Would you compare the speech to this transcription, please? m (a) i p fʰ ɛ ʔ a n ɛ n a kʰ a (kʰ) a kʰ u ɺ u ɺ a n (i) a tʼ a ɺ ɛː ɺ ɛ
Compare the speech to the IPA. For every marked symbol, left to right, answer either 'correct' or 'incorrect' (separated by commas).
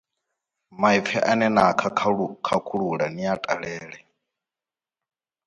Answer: correct, correct, correct